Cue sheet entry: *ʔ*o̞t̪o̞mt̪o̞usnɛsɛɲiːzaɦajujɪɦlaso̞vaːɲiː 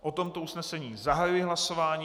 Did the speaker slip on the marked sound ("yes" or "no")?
no